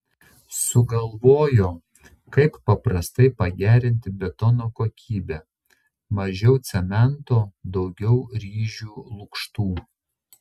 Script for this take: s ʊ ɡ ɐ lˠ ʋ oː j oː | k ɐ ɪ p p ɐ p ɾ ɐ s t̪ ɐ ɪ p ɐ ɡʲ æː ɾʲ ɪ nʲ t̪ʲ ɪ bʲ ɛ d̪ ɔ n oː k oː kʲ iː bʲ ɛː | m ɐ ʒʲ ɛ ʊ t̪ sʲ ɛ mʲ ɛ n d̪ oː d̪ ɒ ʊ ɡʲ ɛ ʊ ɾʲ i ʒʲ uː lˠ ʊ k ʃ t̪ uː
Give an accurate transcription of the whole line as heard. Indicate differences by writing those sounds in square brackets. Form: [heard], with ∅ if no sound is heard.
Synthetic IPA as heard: s ʊ ɡ ɐ lˠ ʋ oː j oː | k ɐ ɪ p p ɐ p ɾ ɐ s t̪ ɐ ɪ p ɐ ɡʲ æː ɾʲ ɪ nʲ t̪ʲ ɪ bʲ ɛ [t̪] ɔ n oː k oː kʲ iː bʲ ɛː | m ɐ ʒʲ ɛ ʊ t̪ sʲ ɛ mʲ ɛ n [t̪] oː d̪ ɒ ʊ ɡʲ ɛ ʊ ɾʲ [iː] ʒʲ uː lˠ ʊ k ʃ t̪ uː